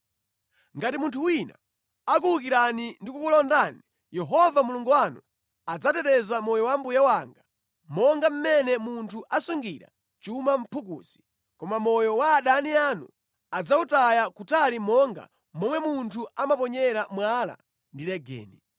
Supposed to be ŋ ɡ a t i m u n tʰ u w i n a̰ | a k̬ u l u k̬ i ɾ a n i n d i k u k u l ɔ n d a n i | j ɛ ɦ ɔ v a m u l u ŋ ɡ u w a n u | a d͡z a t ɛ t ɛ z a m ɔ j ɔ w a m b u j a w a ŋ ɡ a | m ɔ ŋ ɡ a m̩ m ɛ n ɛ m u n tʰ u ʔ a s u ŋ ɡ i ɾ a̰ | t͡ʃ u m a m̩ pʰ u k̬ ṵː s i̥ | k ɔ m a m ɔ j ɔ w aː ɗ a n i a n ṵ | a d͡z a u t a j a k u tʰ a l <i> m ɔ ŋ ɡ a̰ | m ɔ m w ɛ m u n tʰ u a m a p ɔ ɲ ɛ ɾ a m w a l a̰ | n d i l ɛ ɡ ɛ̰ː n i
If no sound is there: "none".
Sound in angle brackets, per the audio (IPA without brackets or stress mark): i